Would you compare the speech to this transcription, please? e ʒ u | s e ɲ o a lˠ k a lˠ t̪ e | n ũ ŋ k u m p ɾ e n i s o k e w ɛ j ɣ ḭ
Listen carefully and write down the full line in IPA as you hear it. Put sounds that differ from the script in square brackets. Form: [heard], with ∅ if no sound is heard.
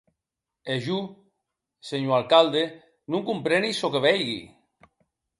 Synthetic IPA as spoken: e ʒ u | s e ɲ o a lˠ k a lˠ [d̪] e | n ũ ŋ k u m p ɾ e n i s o k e [β] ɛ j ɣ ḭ